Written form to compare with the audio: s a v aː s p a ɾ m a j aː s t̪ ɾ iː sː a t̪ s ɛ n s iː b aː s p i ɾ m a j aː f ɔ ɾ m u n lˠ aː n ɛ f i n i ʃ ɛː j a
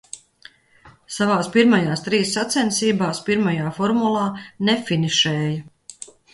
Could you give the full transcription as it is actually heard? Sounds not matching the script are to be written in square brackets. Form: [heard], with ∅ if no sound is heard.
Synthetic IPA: s a v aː s p [i] ɾ m a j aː s t̪ ɾ iː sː a t̪ s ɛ n s iː b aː s p i ɾ m a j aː f ɔ ɾ m u [∅] lˠ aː n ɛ f i n i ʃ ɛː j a

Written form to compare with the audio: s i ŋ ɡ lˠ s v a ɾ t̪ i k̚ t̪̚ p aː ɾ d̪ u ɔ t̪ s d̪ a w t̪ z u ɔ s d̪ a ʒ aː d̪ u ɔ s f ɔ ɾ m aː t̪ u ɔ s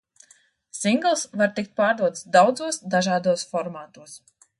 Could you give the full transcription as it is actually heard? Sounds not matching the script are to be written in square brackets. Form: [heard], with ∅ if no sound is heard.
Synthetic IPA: s i ŋ ɡ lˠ s v a ɾ t̪ i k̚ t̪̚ p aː ɾ d̪ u ɔ t̪ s d̪ a w [d̪] z u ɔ s d̪ a ʒ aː d̪ u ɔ s f ɔ ɾ m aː t̪ u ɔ s

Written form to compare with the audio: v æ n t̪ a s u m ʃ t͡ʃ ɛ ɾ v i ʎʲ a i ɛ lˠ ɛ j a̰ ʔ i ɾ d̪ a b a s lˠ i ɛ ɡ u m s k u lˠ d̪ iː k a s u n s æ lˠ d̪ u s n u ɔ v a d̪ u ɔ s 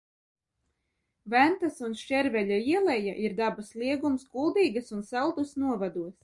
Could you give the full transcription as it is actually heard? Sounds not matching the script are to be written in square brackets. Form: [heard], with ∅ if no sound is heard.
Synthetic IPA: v æ n t̪ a s u [n] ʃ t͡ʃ ɛ ɾ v [ɛ] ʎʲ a i ɛ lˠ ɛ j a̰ ʔ i ɾ d̪ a b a s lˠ i ɛ ɡ u m s k u lˠ d̪ iː [ɡ] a s u n s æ lˠ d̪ u s n u ɔ v a d̪ u ɔ s

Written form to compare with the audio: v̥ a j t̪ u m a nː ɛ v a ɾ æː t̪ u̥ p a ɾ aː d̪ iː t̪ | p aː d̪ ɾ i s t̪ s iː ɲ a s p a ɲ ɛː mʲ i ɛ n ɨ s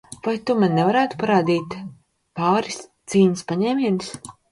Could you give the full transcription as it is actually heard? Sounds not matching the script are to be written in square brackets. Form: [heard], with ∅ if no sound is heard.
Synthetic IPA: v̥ a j t̪ u m a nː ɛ v a ɾ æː t̪ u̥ p a ɾ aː d̪ iː t̪ | p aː [∅] ɾ i s t̪ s iː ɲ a s p a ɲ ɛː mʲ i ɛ n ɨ s

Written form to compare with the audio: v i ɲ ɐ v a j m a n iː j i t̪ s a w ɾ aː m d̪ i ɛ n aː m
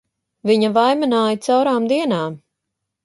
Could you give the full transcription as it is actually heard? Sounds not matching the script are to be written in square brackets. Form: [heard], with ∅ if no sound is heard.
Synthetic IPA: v i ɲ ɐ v a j m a n [aː] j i t̪ s a w ɾ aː m d̪ i ɛ n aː m

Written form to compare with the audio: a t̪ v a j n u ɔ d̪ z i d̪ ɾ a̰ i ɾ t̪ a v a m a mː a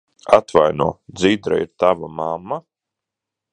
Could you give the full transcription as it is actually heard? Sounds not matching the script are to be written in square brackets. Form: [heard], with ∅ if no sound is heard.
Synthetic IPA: a t̪ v a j n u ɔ d̪ z i d̪ ɾ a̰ i ɾ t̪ a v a m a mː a

